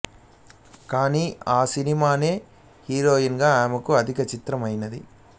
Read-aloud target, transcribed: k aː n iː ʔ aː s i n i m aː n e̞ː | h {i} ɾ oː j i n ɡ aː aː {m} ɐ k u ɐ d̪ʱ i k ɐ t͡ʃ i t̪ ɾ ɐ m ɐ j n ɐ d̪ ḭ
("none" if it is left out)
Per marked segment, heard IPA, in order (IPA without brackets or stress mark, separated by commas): iː, m